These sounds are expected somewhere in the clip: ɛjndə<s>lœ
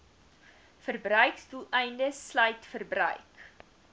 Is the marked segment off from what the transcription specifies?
no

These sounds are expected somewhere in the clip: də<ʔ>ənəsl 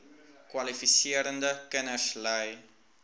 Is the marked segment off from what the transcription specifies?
yes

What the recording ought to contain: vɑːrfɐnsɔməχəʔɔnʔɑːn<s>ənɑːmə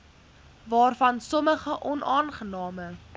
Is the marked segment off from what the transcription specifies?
yes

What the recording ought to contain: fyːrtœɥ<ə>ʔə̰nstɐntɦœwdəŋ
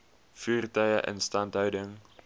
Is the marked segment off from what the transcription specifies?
no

